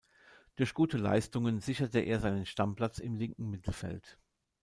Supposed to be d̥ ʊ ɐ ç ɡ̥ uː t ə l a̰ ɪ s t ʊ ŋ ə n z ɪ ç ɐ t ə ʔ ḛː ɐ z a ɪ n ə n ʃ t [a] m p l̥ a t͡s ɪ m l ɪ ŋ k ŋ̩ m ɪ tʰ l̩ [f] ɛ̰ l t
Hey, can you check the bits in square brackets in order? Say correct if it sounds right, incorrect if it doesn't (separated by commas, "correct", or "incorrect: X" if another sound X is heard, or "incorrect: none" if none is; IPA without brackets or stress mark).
correct, correct